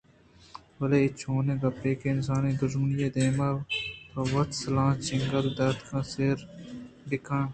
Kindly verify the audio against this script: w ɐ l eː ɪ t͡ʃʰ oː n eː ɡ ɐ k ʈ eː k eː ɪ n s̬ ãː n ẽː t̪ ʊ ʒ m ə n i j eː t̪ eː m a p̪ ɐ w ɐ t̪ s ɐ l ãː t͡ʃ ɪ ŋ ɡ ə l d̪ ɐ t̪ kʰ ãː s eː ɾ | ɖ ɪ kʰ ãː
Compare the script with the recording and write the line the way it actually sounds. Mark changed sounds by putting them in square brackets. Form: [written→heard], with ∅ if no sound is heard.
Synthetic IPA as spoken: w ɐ l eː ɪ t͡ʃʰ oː n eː ɡ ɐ [k→p] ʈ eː k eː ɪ n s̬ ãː n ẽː [t̪→d̪] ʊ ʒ m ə n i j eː [t̪→d̪] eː m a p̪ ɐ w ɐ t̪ s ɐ l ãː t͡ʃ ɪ ŋ ɡ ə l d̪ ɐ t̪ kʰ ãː s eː ɾ | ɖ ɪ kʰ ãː

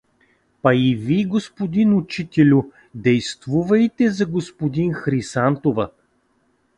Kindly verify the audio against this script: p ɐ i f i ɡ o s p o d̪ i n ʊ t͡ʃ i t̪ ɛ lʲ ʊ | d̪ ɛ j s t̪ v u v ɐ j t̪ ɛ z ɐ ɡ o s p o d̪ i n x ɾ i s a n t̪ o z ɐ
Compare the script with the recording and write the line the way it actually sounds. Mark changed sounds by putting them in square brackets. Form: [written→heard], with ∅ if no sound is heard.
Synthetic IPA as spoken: p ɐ i [f→v] i ɡ o s p o d̪ i n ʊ t͡ʃ i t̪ ɛ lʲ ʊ | d̪ ɛ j s t̪ v u v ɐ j t̪ ɛ z ɐ ɡ o s p o d̪ i n x ɾ i s a n t̪ o [z→v] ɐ

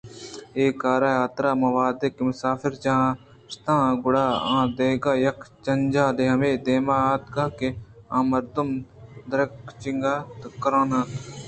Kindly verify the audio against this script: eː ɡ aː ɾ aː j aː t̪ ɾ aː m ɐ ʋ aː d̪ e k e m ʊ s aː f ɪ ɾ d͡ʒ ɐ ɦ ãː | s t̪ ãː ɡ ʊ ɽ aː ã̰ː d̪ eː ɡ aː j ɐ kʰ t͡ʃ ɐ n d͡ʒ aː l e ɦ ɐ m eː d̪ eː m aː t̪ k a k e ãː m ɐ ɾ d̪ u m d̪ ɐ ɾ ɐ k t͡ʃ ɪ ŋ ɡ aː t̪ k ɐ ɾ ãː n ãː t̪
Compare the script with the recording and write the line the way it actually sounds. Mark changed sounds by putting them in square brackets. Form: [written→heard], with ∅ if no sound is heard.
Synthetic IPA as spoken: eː [ɡ→k] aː ɾ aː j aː t̪ ɾ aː m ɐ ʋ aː d̪ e k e m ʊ s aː f ɪ ɾ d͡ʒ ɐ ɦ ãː | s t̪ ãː ɡ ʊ ɽ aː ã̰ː d̪ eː ɡ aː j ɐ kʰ t͡ʃ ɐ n d͡ʒ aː l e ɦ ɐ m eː d̪ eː m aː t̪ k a k e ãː m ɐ ɾ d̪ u m d̪ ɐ ɾ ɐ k t͡ʃ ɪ ŋ ɡ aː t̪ k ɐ ɾ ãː n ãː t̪

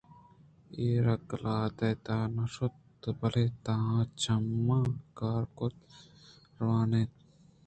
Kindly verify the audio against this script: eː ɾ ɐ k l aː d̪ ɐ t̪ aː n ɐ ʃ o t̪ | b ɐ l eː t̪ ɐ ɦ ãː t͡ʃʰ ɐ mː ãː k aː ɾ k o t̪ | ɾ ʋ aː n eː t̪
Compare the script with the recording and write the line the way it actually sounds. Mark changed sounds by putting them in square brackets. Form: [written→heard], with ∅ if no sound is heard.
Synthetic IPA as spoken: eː ɾ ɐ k l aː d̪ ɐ t̪ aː n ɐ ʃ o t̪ | b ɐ l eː t̪ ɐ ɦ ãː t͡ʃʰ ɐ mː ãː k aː ɾ k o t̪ | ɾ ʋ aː n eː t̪

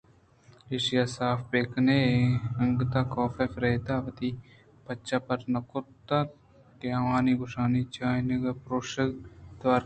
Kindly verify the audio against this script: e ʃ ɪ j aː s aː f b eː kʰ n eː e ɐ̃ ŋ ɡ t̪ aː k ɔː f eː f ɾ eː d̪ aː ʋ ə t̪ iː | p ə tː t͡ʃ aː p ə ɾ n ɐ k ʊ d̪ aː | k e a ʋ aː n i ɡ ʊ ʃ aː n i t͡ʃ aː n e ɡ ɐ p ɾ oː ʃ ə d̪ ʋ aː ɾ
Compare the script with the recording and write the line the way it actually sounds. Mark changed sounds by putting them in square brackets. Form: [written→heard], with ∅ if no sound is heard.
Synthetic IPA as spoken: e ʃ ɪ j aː s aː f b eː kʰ n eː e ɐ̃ ŋ ɡ t̪ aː k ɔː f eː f ɾ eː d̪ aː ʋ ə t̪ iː | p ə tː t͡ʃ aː p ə ɾ n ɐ k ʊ [d̪→t̪] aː | k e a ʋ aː n i ɡ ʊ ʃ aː n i t͡ʃ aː n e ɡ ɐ p ɾ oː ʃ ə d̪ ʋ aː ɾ

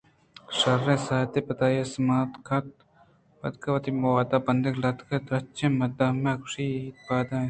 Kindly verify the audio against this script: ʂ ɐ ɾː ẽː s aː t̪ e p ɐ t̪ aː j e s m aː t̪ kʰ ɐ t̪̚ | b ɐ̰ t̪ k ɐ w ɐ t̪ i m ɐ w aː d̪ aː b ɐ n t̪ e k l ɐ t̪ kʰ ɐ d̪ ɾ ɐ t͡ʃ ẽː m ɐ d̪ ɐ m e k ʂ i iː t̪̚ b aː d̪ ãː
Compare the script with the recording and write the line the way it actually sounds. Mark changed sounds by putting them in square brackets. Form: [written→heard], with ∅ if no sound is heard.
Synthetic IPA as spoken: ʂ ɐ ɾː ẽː s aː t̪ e p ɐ t̪ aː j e s m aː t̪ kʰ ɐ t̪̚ | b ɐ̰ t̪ k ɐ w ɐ t̪ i m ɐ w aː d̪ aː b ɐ n [t̪→d̪] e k l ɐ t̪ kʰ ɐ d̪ ɾ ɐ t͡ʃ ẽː m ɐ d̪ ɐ m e k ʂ i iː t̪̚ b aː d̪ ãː

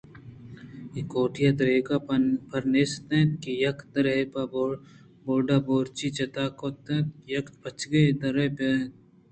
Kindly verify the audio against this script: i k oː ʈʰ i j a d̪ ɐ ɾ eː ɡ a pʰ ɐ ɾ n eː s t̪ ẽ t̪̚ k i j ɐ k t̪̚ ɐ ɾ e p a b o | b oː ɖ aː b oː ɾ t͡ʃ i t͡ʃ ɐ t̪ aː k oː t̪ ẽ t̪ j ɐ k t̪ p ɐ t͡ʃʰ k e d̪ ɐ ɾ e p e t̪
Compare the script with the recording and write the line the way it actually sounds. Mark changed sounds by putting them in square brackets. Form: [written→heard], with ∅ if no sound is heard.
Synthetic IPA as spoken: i k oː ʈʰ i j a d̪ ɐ ɾ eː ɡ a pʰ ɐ ɾ n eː s t̪ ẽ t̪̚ k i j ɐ k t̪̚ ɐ ɾ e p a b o | b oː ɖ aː b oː ɾ t͡ʃ i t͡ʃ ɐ t̪ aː k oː t̪ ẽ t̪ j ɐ k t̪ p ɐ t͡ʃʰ [k→ɡ] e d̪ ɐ ɾ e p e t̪

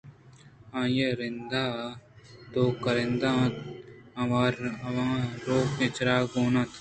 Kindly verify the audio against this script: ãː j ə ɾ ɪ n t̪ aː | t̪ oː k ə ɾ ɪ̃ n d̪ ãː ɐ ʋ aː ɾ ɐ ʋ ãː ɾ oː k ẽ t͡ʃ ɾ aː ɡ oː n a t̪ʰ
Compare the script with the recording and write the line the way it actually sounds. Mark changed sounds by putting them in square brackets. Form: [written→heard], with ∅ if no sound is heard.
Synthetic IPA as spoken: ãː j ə ɾ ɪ n [t̪→d̪] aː | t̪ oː k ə ɾ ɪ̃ n d̪ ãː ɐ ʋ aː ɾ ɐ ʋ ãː ɾ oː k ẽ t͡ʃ ɾ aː ɡ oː n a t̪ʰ

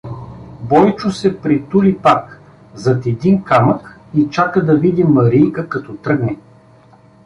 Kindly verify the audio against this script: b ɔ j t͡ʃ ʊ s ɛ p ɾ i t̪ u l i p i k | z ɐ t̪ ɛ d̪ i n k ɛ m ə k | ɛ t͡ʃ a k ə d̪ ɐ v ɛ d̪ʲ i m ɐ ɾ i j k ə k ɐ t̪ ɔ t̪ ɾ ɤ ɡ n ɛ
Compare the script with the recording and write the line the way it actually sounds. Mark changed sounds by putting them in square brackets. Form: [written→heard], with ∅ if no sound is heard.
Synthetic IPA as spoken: b ɔ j t͡ʃ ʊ s ɛ p ɾ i t̪ u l i p [i→a] k | z ɐ t̪ ɛ d̪ i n k [ɛ→a] m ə k | [ɛ→i] t͡ʃ a k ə d̪ ɐ v [ɛ→i] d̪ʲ i m ɐ ɾ i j k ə k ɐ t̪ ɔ t̪ ɾ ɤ ɡ n ɛ

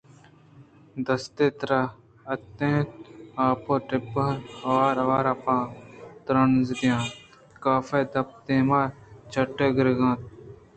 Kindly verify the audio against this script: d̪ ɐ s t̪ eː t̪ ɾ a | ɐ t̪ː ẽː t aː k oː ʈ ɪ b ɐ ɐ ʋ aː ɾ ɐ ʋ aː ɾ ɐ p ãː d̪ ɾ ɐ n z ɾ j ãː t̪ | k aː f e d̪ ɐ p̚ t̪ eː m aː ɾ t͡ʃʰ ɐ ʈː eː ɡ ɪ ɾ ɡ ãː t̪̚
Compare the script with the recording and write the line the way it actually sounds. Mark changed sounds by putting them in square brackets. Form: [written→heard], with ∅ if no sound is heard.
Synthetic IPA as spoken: d̪ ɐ s t̪ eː t̪ ɾ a | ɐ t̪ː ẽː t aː [k→p] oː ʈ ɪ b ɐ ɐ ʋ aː ɾ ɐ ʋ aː ɾ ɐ p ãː [d̪→t̪] ɾ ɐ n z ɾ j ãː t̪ | k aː f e d̪ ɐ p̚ t̪ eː m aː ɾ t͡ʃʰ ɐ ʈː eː ɡ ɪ ɾ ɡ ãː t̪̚

